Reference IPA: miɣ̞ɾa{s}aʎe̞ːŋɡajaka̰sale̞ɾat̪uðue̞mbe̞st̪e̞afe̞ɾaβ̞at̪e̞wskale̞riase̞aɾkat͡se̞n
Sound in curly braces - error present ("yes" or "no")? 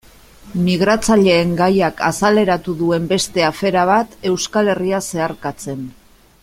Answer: yes